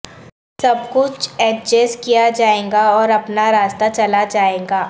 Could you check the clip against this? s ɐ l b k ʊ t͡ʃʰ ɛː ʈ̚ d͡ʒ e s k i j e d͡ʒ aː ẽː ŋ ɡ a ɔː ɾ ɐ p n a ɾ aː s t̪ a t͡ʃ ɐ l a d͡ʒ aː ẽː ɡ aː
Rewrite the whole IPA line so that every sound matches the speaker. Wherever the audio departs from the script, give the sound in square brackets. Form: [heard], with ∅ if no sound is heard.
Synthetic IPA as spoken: s ɐ [∅] b k ʊ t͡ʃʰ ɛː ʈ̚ d͡ʒ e s k i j [a] d͡ʒ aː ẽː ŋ ɡ a ɔː ɾ ɐ p n a ɾ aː s t̪ a t͡ʃ ɐ l a d͡ʒ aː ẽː ɡ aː